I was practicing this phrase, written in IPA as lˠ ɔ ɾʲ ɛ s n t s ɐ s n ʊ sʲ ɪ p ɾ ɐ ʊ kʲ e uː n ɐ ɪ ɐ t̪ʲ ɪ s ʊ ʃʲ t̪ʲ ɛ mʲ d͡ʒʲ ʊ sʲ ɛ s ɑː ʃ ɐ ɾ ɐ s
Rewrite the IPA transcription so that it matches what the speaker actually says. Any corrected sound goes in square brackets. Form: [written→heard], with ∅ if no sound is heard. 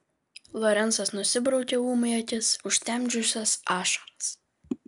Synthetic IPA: lˠ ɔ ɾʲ ɛ [s→∅] n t s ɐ s n ʊ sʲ ɪ [p→b] ɾ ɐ ʊ kʲ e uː [n→m] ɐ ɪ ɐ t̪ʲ ɪ s ʊ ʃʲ t̪ʲ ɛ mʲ d͡ʒʲ ʊ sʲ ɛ s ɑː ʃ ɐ ɾ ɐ s